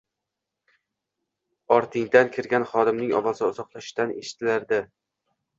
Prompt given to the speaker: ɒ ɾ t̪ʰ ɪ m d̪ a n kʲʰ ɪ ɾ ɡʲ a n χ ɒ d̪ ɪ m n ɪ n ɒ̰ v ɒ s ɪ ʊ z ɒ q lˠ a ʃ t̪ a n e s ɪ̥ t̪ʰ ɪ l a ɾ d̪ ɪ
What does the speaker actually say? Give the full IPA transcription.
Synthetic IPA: ɒ ɾ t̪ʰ ɪ ŋ d̪ a n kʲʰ ɪ ɾ ɡʲ a n χ ɒ d̪ ɪ m n ɪ ŋ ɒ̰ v ɒ z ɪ ʊ z ɒ q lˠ a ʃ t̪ a n e ʃ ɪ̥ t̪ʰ ɪ l a ɾ d̪ ɪ